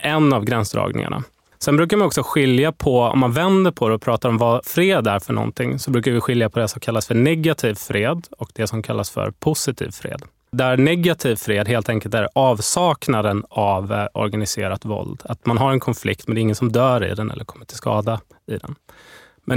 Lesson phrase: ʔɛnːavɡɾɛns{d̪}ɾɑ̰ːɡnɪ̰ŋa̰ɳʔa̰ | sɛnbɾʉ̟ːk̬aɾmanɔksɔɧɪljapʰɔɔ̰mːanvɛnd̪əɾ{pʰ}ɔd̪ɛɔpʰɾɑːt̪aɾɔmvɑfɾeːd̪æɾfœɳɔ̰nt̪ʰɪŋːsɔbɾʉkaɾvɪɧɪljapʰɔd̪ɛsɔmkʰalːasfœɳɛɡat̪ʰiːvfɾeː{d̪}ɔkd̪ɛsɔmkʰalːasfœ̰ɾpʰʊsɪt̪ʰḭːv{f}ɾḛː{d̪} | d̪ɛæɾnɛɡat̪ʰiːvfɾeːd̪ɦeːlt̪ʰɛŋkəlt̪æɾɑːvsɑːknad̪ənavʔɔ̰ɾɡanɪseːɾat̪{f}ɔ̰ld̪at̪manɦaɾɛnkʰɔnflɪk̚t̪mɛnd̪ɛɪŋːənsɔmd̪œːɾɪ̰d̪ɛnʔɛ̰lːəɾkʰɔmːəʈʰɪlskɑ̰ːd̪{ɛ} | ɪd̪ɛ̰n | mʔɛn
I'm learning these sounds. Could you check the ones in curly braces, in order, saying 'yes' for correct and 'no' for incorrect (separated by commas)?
yes, yes, yes, yes, yes, no, no